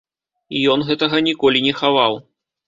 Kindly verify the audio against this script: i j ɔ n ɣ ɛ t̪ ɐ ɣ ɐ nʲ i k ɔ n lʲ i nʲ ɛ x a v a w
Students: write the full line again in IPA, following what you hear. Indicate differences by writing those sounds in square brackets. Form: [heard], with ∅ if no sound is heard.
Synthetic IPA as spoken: i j ɔ n ɣ ɛ t̪ ɐ ɣ ɐ nʲ i k ɔ [∅] lʲ i nʲ ɛ x a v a w